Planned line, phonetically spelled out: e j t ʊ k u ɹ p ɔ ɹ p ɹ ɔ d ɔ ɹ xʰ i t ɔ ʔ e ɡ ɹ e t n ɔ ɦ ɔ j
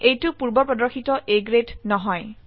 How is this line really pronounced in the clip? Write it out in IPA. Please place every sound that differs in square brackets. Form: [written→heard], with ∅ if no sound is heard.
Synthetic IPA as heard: e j t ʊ [k→p] u ɹ [p→b] ɔ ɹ p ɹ ɔ d ɔ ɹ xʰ i t ɔ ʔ e ɡ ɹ e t n ɔ ɦ ɔ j